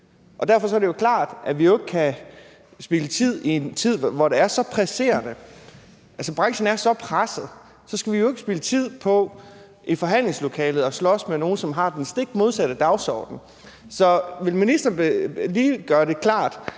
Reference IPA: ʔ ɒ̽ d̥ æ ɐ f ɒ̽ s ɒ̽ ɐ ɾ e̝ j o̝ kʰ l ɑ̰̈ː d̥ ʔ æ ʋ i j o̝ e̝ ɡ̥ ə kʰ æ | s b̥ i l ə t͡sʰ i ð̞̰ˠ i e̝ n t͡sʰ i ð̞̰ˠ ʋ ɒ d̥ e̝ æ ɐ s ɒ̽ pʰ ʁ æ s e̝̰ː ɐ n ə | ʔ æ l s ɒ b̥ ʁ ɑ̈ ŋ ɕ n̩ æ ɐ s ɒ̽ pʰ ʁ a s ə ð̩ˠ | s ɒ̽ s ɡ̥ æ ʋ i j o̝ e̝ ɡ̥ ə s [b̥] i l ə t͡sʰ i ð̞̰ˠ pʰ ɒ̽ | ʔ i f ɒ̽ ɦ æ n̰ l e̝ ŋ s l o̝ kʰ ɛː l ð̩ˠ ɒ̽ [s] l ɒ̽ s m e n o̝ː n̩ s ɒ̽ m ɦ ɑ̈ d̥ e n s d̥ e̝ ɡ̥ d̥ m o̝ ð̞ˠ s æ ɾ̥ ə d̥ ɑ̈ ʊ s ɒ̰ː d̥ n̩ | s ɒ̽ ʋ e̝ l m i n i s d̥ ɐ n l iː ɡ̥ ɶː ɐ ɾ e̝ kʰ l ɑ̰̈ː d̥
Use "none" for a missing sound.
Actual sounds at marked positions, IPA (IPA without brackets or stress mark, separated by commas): b̥, s